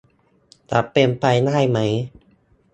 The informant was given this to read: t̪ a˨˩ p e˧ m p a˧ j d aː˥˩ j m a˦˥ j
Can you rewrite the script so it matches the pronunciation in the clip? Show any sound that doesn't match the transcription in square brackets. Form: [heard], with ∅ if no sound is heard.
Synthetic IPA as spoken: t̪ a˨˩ p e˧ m p a˧ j [n] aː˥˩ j m a˦˥ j